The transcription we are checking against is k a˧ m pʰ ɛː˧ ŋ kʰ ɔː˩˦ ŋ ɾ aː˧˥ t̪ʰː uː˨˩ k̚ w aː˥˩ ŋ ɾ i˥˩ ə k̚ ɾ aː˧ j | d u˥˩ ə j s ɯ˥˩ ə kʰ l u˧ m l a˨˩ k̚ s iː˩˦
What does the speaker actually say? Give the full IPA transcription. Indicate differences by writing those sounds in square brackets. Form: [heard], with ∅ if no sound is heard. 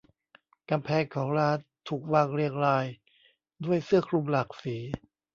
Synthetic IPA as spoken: k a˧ m pʰ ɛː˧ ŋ kʰ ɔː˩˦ ŋ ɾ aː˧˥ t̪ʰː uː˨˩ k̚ w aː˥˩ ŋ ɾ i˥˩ ə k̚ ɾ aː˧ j | d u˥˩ ə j s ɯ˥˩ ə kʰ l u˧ m l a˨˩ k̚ s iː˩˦